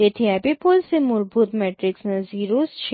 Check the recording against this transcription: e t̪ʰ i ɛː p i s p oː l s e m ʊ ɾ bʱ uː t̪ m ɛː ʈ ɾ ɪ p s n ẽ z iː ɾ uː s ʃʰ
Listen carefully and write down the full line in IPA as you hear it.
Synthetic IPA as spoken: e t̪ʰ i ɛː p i p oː l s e m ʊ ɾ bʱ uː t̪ m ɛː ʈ ɾ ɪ k s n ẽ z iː ɾ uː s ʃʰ

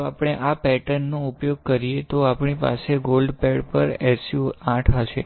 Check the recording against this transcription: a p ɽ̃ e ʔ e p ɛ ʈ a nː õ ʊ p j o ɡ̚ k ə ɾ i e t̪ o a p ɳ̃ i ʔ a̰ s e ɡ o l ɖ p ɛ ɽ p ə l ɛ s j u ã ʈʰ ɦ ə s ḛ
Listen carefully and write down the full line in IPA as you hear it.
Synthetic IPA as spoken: a p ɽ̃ e ʔ a p ɛ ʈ ə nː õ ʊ p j o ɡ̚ k ə ɾ i e t̪ o a p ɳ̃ i p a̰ s e ɡ o l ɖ p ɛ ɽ p ə ɾ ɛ s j u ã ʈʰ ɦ ə ʃ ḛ

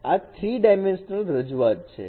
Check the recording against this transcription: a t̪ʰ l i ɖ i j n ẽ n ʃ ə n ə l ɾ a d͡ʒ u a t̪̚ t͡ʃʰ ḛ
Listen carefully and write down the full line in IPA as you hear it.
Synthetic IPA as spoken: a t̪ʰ ɾ i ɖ a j m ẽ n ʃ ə n ə l ɾ ə d͡ʒ u a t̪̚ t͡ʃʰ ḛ

